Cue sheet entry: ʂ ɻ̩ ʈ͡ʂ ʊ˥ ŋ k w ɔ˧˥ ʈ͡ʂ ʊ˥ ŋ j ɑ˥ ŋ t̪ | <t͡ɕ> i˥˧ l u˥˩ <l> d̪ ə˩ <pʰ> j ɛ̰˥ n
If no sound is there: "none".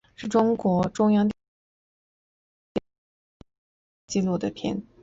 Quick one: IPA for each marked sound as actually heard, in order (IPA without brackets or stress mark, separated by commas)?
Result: t͡ɕ, none, pʰ